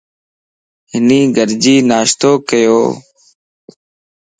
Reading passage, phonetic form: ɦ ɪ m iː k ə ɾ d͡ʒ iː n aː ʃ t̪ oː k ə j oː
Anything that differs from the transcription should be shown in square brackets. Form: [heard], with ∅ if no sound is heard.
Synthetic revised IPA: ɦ ɪ [n] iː [ɡ] ə ɾ d͡ʒ iː n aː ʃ t̪ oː k ə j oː